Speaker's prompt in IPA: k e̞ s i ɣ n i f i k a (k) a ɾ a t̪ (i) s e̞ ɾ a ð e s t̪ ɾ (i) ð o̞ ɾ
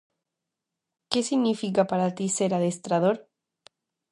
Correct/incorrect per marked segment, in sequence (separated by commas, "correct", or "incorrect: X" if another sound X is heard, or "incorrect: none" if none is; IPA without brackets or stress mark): incorrect: p, correct, incorrect: a